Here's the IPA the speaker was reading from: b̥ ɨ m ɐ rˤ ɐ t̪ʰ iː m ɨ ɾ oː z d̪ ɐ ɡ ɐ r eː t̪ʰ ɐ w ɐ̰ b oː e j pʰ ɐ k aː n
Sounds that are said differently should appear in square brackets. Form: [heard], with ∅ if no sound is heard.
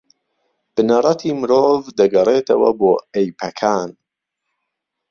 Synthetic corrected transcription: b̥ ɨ [n] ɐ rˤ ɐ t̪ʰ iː m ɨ ɾ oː [v] d̪ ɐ ɡ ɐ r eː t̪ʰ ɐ w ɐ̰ b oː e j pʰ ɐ [kʰ] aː n

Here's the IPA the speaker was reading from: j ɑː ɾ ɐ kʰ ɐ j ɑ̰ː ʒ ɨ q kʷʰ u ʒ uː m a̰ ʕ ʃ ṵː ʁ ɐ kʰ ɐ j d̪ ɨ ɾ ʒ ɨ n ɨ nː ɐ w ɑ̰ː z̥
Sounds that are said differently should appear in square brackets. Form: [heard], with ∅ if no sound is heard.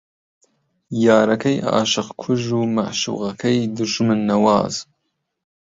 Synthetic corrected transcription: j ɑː ɾ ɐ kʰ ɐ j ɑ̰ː [ʃ] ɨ q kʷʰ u ʒ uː m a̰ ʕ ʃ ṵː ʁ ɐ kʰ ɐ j d̪ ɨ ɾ ʒ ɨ [m] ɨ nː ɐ w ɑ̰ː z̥

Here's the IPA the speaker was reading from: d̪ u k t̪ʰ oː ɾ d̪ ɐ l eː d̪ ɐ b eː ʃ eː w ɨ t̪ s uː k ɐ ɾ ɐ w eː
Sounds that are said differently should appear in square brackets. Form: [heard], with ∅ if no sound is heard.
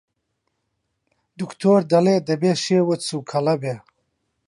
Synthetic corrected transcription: d̪ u k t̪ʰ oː ɾ d̪ ɐ l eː d̪ ɐ b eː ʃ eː w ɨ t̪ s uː [kʰ] ɐ [l] ɐ [b] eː

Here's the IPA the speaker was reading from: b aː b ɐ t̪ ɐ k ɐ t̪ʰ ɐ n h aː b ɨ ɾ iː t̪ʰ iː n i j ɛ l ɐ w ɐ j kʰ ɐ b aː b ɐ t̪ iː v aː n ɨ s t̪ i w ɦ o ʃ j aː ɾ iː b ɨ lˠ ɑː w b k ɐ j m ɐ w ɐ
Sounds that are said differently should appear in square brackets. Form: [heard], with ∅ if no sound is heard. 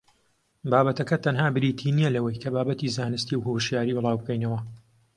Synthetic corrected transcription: b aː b ɐ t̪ ɐ k ɐ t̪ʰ ɐ n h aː b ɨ ɾ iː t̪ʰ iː n i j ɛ l ɐ w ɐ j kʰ ɐ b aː b ɐ t̪ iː [z] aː n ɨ s t̪ i w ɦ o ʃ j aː ɾ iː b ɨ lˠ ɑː w b k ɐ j [n] ɐ w ɐ

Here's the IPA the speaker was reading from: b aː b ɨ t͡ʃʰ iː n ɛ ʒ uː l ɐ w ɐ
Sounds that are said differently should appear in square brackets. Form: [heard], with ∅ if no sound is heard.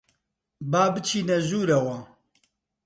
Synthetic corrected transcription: b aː b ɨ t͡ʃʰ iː n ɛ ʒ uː [ɾ] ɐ w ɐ

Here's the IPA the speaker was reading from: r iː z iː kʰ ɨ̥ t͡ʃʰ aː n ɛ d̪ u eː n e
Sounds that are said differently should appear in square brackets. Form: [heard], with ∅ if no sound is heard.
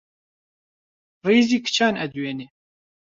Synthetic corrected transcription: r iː z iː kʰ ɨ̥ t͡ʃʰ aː n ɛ d̪ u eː n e

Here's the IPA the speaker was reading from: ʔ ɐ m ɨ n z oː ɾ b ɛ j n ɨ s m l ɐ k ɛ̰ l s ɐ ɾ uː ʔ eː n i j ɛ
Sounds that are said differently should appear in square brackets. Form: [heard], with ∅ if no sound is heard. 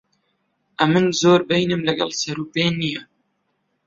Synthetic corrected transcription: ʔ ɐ m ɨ n z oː ɾ b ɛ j n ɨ [∅] m l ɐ [ɡ] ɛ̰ l s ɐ ɾ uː [p] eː n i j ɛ

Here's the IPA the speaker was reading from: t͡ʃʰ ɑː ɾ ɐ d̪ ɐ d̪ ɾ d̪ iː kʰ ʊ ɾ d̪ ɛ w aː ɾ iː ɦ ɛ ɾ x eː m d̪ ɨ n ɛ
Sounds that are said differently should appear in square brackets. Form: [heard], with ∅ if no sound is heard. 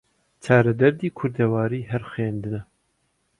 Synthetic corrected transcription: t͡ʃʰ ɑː ɾ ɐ d̪ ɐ [∅] ɾ d̪ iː kʰ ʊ ɾ d̪ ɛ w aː ɾ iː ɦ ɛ ɾ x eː [n] d̪ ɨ n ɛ

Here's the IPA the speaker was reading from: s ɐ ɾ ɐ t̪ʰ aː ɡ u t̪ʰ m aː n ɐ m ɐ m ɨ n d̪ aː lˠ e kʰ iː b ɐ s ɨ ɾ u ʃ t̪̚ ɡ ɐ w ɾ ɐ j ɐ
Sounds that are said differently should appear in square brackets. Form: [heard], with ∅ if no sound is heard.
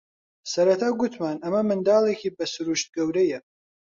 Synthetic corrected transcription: s ɐ ɾ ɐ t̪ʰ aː ɡ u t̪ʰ m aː n ɐ m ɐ m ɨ n d̪ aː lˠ e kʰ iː b ɐ s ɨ ɾ u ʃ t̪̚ ɡ ɐ w ɾ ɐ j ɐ

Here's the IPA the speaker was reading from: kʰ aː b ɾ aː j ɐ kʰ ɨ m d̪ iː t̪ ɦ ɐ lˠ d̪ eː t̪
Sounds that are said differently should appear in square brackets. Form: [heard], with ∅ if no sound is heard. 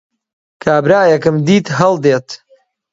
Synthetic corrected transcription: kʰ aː b ɾ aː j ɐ [k] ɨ m d̪ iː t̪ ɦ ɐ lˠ d̪ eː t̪

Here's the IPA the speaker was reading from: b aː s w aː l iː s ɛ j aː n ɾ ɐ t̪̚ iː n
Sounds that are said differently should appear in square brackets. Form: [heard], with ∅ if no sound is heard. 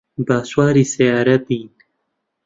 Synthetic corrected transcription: b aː s w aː [ɾ] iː s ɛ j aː [∅] ɾ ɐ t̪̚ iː n

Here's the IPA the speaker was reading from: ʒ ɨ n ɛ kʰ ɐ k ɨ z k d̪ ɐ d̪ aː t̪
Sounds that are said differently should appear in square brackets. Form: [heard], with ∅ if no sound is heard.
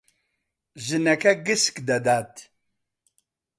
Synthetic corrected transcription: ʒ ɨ n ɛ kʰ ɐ [ɡ] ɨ [s] k d̪ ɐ d̪ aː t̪

